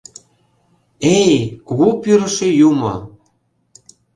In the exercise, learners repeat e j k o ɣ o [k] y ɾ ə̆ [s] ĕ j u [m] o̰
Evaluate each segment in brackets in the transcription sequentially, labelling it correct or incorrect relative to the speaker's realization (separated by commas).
incorrect, incorrect, correct